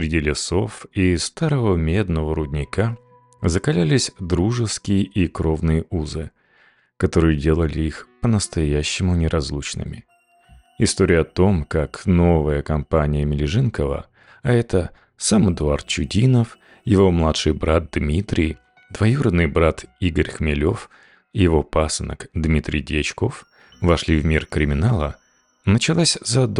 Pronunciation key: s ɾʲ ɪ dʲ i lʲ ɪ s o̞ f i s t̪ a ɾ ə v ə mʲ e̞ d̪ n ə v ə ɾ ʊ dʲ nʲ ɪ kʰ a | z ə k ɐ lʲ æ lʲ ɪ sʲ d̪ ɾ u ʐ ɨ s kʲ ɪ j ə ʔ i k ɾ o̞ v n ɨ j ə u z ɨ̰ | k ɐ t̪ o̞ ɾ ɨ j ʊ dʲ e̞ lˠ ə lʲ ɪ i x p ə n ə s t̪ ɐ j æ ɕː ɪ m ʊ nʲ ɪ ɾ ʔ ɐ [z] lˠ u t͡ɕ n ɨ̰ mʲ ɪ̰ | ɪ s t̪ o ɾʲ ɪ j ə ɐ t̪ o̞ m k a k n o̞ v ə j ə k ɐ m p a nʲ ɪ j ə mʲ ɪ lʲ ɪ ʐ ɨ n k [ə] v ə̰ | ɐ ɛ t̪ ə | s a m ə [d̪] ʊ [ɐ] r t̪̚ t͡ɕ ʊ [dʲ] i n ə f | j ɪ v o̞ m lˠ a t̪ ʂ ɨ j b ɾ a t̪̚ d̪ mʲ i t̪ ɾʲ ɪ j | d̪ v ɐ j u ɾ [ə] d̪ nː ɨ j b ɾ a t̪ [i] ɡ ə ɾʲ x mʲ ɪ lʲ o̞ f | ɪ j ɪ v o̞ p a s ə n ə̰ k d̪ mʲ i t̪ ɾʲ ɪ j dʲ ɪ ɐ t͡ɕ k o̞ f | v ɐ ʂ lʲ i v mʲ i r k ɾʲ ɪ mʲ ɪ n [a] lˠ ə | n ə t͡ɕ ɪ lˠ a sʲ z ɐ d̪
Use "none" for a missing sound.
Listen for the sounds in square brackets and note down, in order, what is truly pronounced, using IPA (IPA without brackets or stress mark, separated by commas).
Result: z, ə, d̪, a, dʲ, ə, i, a